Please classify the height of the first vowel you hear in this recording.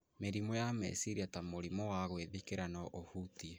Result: mid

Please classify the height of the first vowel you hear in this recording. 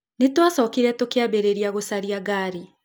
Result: mid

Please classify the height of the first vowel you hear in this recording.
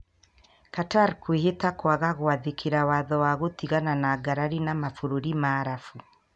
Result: low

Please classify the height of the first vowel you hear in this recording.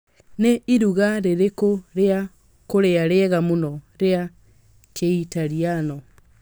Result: mid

